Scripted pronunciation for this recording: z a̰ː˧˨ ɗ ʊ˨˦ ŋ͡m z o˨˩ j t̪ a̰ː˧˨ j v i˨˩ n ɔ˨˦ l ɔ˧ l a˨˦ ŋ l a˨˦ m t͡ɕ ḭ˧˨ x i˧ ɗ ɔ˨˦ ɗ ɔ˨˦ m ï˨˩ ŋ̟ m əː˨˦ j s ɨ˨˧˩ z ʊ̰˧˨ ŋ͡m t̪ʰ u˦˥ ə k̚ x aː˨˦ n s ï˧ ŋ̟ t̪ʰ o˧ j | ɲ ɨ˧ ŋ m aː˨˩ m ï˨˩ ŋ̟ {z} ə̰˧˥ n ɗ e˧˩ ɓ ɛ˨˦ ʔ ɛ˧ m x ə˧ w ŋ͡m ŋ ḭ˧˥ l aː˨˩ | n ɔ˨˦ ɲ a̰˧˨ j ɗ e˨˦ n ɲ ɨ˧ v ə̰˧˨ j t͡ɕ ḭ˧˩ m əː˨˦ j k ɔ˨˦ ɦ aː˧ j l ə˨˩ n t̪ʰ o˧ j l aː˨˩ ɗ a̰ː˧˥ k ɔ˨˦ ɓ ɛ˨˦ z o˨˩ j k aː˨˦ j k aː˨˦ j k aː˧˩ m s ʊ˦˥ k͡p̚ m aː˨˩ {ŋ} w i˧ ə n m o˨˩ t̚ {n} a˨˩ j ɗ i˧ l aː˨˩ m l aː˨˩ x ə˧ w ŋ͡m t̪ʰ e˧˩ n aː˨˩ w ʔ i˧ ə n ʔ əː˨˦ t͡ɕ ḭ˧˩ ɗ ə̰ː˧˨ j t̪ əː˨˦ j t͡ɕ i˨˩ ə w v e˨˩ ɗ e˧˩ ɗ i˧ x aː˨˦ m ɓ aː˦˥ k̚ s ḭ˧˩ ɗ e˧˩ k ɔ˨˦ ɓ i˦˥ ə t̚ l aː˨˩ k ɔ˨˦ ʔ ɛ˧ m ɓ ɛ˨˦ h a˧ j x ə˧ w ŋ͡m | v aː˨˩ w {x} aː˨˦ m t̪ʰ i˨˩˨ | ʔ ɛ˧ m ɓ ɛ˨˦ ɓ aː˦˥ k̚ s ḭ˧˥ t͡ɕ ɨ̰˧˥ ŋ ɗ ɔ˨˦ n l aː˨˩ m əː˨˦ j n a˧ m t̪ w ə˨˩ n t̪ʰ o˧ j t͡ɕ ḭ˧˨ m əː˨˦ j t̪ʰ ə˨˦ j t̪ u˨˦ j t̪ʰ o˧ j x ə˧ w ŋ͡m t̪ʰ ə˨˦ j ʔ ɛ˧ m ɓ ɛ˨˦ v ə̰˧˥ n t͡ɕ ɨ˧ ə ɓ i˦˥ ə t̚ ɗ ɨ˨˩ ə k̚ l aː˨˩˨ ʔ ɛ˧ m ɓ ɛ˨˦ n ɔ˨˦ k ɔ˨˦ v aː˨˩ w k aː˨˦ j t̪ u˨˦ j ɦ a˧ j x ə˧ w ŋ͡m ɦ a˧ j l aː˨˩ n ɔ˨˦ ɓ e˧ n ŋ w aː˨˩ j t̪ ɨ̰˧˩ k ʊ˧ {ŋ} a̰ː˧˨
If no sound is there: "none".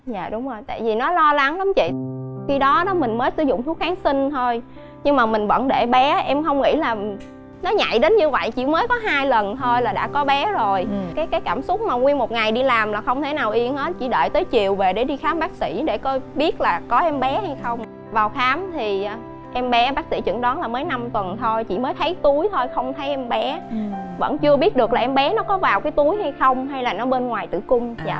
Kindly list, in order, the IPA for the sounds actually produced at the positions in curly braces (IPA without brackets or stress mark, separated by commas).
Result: v, ŋ, ŋ, x, ŋ͡m